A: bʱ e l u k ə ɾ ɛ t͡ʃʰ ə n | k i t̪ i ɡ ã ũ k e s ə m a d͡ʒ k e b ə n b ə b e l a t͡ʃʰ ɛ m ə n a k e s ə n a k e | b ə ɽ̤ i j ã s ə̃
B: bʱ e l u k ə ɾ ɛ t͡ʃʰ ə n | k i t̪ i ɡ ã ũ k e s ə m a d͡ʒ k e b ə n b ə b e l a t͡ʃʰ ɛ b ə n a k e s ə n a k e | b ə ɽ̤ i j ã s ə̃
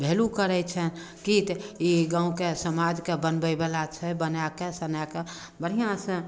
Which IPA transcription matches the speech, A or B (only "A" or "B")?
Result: B